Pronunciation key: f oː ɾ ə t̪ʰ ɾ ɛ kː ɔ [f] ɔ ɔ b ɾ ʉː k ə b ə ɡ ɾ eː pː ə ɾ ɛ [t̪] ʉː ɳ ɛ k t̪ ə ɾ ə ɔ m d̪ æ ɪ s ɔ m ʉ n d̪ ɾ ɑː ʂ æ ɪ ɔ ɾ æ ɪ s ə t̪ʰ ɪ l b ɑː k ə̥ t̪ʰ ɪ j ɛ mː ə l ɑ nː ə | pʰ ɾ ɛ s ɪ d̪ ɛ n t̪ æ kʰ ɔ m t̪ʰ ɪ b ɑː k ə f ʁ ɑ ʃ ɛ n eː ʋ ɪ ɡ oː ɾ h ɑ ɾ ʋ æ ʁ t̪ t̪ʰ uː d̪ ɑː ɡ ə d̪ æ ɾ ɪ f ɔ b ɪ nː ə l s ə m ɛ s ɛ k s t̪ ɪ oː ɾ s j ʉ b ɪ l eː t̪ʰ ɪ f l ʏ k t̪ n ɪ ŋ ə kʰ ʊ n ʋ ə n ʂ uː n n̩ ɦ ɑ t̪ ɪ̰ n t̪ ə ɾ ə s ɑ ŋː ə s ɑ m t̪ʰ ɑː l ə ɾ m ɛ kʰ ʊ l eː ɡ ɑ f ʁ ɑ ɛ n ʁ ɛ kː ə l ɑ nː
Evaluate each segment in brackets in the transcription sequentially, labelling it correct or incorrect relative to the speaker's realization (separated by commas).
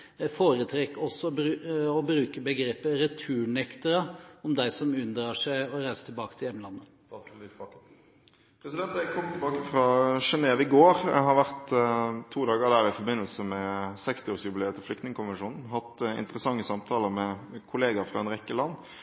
incorrect, incorrect